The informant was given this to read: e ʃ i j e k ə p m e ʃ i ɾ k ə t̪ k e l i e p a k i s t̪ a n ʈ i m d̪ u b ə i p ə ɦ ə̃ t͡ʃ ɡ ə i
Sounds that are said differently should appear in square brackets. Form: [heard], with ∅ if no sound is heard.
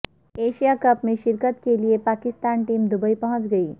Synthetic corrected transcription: e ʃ i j [a] k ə p m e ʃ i ɾ k ə t̪ k e l i e p a k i s t̪ a n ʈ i m d̪ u b ə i p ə ɦ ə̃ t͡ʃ ɡ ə i